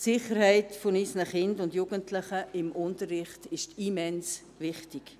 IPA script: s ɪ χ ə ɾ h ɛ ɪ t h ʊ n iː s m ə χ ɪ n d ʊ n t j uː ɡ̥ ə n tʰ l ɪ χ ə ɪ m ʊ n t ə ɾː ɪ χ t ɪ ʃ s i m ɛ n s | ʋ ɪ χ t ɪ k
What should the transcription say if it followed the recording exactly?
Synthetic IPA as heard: s ɪ χ ə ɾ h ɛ ɪ t f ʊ n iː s n ə χ ɪ n d ʊ n d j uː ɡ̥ ə n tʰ l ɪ χ ə ɪ m ʊ n t ə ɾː ɪ χ t ɪ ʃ t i m ɛ n s | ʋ ɪ χ t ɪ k